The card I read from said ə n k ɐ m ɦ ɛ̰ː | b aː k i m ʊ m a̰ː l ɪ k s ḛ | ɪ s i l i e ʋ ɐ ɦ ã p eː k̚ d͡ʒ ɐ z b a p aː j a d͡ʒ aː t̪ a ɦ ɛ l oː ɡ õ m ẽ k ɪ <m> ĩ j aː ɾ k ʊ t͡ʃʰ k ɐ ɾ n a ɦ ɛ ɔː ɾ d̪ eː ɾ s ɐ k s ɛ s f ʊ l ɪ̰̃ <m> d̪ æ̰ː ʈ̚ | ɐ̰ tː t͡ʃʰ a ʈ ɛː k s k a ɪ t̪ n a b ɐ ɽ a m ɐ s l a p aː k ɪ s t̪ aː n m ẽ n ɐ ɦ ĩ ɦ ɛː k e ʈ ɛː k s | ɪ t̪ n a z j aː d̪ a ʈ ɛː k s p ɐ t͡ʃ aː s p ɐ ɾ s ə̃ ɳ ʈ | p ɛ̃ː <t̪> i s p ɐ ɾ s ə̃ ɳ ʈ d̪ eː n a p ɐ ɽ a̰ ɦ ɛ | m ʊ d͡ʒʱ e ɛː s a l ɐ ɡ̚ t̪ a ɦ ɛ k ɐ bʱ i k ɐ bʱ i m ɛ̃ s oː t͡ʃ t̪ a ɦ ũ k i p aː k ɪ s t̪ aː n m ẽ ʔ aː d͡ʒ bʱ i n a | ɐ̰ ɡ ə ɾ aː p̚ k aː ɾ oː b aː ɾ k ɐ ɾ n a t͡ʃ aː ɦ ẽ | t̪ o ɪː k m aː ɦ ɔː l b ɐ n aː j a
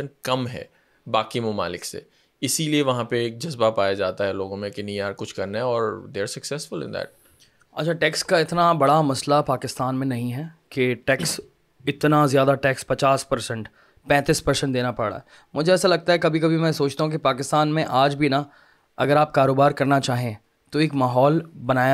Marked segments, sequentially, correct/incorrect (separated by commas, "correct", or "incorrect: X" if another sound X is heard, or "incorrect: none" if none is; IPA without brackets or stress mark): incorrect: n, incorrect: n, correct